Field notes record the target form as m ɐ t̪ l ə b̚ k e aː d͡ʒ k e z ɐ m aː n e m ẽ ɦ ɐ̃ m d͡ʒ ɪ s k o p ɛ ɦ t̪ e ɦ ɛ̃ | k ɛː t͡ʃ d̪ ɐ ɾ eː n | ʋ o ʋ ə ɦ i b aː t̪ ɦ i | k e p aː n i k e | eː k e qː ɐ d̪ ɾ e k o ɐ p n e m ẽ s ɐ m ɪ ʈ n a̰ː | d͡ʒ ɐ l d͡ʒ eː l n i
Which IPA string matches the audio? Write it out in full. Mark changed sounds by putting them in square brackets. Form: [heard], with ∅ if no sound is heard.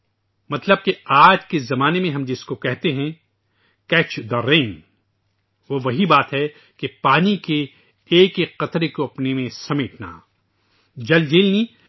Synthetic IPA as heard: m ɐ t̪ l ə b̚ k e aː d͡ʒ k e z ɐ m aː n e m ẽ ɦ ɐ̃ m d͡ʒ ɪ s k o [k] ɛ ɦ t̪ e ɦ ɛ̃ | k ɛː t͡ʃ d̪ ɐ ɾ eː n | ʋ o ʋ [ɐ] ɦ i b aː t̪ ɦ [ɛ] | k e p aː n i k e | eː k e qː ɐ [t̪] ɾ e k o ɐ p n e m ẽ s ɐ m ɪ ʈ n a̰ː | d͡ʒ ɐ l d͡ʒ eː l n i